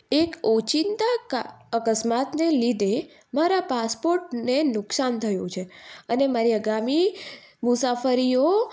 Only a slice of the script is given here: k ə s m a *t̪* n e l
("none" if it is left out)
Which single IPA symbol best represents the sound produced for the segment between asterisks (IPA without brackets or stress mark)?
t̪